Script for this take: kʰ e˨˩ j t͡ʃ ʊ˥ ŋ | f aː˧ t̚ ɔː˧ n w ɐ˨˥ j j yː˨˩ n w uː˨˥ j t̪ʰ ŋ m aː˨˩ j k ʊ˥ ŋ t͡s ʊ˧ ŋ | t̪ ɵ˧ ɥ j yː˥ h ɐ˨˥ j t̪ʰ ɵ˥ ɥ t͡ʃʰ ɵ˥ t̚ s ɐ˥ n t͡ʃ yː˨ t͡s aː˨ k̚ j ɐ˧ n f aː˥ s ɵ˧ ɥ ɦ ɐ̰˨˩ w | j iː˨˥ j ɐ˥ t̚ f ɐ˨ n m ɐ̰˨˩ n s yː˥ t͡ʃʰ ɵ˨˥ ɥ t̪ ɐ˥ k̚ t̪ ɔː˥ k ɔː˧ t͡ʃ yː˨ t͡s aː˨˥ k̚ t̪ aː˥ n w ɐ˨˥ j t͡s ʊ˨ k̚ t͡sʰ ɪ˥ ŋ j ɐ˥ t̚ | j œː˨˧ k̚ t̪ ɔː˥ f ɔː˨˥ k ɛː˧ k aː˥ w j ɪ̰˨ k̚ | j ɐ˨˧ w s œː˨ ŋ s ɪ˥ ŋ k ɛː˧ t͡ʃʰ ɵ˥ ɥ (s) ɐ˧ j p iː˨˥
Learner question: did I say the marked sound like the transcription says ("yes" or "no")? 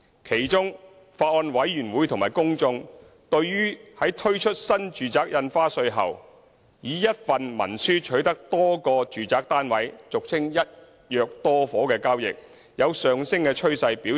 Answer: yes